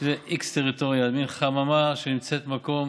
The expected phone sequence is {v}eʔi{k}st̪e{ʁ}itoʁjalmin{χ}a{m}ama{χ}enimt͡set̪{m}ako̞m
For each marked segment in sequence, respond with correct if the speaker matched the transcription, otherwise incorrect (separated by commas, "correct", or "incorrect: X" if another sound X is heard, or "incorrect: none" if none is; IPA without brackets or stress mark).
incorrect: z, correct, correct, correct, correct, incorrect: ʃ, correct